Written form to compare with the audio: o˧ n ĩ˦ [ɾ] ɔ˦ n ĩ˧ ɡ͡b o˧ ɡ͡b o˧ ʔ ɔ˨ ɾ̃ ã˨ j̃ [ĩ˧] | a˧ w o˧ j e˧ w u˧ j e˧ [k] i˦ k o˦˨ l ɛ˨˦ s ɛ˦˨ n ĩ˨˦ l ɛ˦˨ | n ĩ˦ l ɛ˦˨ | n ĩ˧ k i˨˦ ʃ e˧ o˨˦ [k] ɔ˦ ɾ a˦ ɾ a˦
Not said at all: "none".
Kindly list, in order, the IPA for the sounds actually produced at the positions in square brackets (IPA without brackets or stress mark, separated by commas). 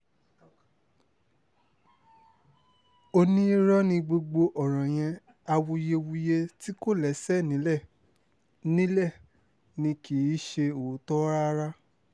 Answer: ɾ, ɛ̃˧, t, t